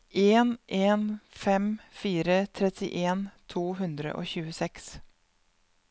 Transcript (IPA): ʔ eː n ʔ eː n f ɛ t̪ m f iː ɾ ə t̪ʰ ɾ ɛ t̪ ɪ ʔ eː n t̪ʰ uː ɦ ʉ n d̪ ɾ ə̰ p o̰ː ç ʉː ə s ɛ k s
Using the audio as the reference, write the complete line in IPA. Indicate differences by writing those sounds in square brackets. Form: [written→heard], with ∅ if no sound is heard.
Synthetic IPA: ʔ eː n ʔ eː n f ɛ [t̪→∅] m f iː ɾ ə t̪ʰ ɾ ɛ t̪ ɪ ʔ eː n t̪ʰ uː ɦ ʉ n d̪ ɾ ə̰ [p→ʔ] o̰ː ç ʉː ə s ɛ k s